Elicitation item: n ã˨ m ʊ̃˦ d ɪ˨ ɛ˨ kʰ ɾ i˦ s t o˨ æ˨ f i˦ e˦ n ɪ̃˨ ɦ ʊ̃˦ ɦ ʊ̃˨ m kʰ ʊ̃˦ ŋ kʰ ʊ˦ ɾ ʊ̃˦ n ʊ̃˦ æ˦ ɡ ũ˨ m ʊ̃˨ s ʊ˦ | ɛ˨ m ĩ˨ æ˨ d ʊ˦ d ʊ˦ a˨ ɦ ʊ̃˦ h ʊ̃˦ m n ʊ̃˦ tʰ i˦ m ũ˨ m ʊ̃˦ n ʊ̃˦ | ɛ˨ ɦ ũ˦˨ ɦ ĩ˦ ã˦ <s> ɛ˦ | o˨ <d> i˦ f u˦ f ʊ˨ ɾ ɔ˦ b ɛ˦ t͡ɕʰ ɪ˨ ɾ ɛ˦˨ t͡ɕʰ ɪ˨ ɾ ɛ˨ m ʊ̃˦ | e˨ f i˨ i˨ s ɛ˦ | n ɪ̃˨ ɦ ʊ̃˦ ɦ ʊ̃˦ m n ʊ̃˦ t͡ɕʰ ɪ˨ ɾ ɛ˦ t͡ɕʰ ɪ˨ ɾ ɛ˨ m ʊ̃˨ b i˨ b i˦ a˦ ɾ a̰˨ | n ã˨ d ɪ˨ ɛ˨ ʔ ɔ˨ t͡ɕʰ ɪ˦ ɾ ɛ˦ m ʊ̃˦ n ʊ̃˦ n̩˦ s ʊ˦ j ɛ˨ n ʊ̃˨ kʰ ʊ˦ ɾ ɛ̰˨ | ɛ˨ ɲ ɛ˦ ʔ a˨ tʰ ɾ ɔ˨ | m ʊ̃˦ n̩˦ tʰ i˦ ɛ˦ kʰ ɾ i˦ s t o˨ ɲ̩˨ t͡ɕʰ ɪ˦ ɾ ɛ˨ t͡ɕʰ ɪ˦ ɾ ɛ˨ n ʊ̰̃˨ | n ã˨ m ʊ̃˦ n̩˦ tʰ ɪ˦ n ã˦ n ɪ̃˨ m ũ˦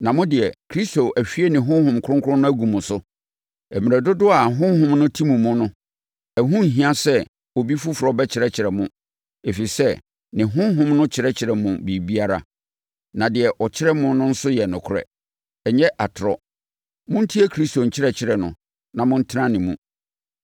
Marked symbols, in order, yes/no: yes, no

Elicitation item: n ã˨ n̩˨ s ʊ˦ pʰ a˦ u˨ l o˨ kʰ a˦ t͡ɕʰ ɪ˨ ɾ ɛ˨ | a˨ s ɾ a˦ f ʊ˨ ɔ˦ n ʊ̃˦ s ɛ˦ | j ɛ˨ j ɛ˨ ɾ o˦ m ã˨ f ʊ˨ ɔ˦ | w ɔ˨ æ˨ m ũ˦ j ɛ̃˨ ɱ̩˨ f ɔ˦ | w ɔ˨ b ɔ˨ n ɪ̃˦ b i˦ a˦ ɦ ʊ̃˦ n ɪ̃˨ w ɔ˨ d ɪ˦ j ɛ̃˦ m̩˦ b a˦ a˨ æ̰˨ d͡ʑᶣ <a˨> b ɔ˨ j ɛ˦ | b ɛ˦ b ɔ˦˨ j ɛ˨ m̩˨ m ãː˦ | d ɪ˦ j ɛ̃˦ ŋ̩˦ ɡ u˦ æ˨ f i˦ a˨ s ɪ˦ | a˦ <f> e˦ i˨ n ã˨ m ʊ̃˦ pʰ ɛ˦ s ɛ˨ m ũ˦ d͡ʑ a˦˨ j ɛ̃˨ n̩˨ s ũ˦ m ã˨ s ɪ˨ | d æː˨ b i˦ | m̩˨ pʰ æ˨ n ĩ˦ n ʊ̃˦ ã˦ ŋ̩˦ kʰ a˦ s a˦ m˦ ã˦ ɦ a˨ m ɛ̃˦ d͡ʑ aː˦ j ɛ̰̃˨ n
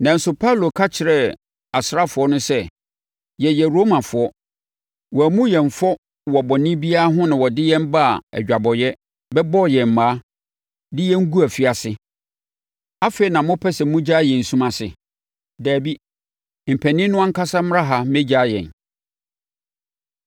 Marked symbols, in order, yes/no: yes, yes

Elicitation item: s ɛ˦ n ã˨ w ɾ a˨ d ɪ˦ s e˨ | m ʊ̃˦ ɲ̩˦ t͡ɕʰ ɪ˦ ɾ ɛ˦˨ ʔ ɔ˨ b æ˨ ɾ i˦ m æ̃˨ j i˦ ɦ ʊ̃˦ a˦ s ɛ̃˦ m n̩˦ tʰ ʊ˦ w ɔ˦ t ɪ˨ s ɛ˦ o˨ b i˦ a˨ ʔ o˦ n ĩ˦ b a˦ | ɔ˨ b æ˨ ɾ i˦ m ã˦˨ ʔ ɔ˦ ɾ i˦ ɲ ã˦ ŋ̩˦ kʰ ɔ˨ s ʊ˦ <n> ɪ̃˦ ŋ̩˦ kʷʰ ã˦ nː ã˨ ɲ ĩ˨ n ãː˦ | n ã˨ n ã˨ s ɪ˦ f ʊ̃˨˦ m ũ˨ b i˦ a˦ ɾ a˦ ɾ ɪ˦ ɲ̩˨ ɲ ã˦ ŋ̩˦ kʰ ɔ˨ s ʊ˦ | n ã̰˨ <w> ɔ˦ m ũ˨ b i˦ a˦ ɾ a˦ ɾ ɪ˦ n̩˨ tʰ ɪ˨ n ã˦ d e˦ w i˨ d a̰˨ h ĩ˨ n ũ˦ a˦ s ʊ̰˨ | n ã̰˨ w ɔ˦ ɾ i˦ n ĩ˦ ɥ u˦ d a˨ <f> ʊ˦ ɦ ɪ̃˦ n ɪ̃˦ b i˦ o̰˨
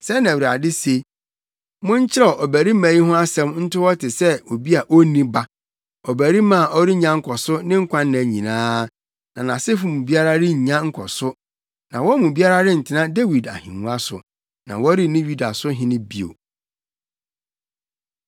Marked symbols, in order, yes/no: yes, yes, no

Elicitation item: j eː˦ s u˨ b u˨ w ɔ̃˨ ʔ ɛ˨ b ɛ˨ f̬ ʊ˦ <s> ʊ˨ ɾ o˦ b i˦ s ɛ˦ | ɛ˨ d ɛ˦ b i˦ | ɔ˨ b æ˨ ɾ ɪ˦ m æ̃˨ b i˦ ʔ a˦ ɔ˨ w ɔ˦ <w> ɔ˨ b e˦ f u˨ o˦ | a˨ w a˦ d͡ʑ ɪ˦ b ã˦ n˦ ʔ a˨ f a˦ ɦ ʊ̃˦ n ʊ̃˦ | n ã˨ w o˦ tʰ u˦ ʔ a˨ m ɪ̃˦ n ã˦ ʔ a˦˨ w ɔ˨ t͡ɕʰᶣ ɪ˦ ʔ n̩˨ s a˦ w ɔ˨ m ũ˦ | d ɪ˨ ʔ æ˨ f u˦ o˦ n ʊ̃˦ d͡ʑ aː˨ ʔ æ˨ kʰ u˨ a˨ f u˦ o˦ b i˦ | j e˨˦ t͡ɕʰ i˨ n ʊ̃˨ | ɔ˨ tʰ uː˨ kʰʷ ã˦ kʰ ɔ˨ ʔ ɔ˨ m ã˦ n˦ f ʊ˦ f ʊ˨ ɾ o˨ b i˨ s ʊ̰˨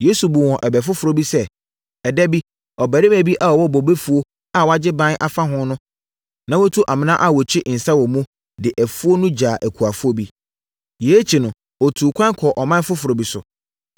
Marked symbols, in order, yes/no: no, no

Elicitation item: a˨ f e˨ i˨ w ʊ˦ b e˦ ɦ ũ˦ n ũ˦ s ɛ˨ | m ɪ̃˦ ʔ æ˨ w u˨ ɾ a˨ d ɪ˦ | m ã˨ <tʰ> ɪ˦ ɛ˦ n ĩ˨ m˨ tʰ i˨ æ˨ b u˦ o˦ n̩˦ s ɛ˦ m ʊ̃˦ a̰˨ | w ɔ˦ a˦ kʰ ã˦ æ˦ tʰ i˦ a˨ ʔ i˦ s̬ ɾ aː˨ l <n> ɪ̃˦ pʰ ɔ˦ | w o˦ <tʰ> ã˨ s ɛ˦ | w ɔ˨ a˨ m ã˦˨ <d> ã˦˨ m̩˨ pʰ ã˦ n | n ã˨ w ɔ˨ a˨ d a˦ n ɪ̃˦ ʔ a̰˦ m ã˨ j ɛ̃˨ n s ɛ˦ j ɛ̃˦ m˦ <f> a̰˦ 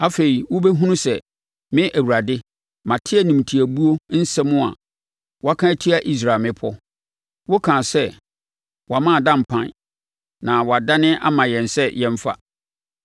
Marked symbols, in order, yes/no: yes, no, no, yes, yes

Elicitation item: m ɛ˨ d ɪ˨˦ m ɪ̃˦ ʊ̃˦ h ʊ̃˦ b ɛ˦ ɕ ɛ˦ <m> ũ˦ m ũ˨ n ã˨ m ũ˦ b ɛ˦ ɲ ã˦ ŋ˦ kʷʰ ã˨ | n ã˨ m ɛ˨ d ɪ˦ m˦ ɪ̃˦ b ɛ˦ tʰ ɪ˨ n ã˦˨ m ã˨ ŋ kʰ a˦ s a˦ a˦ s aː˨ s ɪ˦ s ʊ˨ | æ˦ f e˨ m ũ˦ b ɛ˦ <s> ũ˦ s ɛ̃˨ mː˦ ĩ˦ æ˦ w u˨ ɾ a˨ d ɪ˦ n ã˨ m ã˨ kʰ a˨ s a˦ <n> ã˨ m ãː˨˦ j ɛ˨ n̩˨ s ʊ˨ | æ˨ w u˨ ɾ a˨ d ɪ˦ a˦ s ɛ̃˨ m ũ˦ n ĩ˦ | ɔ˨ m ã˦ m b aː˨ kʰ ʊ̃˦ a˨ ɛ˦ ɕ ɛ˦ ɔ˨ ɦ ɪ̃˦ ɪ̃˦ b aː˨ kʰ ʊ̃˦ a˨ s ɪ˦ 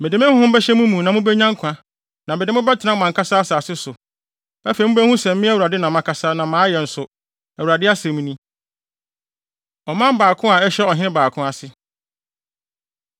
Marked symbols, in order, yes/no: yes, no, yes

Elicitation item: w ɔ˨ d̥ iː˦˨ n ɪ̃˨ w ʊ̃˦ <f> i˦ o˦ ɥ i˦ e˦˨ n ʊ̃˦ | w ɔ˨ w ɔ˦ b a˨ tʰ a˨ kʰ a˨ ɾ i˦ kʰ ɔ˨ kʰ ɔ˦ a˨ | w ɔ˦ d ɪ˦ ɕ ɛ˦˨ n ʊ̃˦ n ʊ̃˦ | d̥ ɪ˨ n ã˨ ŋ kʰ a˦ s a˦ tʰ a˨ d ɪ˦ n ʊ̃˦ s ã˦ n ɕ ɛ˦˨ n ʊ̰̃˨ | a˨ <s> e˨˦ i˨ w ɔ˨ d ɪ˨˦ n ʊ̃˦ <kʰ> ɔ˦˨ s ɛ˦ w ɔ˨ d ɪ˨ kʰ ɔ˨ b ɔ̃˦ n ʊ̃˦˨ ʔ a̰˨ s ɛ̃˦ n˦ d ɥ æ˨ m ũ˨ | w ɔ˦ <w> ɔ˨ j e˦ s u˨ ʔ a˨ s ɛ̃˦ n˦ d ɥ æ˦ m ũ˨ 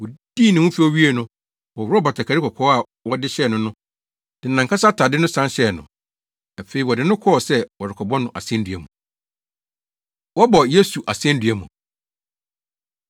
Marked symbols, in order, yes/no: yes, no, yes, no

